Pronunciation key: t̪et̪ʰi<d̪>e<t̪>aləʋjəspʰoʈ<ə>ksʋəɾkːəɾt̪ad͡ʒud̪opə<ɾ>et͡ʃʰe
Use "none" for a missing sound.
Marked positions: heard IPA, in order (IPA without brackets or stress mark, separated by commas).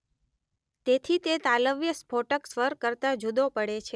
t̪, t̪, ə, ɽ